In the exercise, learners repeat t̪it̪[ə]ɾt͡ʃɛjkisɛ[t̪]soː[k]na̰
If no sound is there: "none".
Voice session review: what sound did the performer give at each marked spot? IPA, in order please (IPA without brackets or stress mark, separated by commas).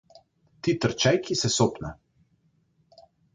ə, none, p